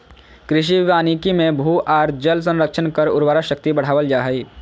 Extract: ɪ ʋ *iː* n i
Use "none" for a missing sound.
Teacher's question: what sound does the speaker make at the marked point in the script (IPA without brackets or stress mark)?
aː